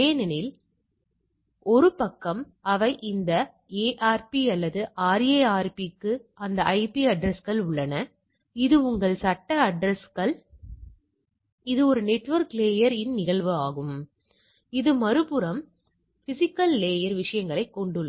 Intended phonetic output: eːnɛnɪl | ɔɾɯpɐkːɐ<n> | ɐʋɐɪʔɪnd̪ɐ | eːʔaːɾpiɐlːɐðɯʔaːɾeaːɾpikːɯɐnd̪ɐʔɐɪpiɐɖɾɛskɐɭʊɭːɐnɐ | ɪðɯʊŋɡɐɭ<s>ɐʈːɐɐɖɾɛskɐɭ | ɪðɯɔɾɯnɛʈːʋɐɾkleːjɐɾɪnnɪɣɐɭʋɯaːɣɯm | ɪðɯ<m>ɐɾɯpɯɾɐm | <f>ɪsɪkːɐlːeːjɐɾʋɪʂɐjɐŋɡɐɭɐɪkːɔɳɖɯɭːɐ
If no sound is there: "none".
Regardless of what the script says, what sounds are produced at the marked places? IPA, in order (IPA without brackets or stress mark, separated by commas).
m, s, m, f